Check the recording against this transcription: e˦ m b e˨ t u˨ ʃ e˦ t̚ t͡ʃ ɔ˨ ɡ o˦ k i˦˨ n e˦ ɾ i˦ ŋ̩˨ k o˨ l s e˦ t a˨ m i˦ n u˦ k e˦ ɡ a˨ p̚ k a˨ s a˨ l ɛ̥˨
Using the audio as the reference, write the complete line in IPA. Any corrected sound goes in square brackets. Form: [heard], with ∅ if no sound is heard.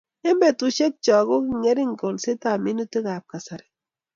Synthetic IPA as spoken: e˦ m b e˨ t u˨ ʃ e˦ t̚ t͡ʃ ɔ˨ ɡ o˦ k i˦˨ [ŋ] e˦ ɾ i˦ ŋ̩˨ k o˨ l s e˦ t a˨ m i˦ n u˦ [t] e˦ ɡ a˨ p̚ k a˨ s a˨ [ɾ] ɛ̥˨